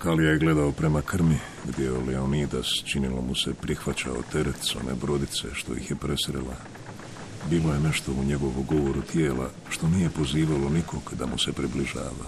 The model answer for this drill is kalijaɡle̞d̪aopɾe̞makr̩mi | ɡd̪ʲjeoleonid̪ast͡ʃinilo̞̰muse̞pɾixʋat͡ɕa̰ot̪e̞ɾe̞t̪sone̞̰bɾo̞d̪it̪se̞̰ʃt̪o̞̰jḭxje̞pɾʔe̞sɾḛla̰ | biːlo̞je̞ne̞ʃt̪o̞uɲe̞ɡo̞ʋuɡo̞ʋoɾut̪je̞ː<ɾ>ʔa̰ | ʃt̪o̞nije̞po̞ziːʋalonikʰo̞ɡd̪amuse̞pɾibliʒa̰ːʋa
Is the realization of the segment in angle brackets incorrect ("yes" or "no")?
yes